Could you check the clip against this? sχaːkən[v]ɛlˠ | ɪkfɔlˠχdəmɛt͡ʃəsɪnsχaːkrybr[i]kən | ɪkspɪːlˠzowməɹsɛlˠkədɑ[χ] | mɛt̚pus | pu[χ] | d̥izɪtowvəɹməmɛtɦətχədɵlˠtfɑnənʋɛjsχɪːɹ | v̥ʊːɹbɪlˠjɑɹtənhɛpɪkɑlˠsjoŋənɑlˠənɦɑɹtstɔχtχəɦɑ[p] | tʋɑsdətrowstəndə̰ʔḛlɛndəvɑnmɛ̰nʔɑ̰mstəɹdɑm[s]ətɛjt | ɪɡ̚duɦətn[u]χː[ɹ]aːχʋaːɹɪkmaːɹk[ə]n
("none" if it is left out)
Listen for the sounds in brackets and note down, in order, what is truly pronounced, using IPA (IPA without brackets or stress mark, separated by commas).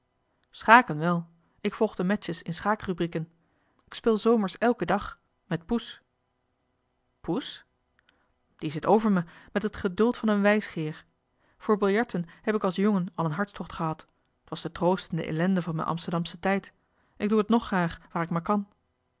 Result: ʋ, i, χ, s, t, s, ɔ, r, ɑ